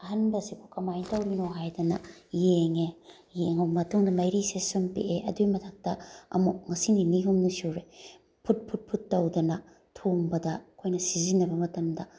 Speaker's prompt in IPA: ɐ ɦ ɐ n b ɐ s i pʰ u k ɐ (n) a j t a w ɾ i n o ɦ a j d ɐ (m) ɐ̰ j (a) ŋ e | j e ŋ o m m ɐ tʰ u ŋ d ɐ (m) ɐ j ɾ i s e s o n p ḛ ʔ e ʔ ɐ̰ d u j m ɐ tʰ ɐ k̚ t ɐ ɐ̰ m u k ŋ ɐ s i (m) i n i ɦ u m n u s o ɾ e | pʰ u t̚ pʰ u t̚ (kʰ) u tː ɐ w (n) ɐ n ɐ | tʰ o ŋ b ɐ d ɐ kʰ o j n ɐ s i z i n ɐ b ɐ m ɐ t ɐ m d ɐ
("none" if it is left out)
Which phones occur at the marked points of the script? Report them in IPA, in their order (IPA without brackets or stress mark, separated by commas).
m, n, e, m, n, pʰ, d